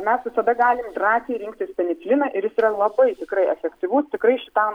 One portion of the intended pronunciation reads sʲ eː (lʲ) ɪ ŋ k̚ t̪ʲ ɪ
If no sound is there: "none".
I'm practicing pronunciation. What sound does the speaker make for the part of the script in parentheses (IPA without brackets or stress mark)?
ɾʲ